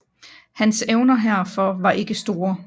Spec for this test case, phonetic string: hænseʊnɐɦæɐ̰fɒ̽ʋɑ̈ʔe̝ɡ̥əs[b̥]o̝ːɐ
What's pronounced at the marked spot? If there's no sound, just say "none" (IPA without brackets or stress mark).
d̥